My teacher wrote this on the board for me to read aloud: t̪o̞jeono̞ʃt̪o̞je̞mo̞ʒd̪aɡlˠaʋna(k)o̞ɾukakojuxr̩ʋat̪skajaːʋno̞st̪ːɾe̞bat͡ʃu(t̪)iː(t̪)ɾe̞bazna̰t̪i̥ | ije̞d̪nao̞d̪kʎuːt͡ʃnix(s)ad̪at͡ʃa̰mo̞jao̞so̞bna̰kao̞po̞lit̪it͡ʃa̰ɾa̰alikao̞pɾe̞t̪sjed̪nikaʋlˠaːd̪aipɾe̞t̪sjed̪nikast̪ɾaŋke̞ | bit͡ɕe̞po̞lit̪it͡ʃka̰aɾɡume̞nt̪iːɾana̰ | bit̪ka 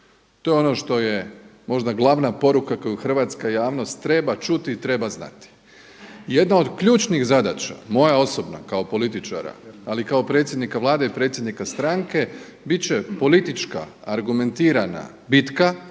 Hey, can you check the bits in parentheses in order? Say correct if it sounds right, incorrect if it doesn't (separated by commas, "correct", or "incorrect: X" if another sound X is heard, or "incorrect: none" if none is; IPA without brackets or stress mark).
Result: incorrect: p, correct, correct, incorrect: z